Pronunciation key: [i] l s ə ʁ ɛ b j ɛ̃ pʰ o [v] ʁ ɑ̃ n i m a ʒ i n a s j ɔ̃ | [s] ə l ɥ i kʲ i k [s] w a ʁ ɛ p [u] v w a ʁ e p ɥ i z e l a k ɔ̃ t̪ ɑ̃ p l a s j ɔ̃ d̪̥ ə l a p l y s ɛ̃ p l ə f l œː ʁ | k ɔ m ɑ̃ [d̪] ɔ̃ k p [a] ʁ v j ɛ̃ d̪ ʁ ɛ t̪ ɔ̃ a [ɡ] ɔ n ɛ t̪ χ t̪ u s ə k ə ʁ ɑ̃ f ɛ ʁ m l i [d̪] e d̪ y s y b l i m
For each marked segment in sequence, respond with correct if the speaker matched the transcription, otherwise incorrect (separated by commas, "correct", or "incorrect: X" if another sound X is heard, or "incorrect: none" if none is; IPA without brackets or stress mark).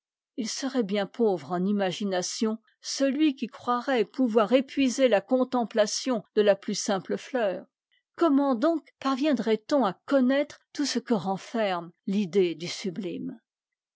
correct, correct, correct, incorrect: χ, correct, correct, correct, incorrect: k, correct